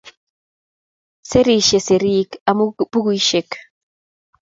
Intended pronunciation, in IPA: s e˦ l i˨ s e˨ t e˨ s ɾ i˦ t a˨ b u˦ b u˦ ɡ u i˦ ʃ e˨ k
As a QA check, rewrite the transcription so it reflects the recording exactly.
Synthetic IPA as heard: s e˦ ɾ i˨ ʃ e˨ s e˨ ɾ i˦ k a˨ m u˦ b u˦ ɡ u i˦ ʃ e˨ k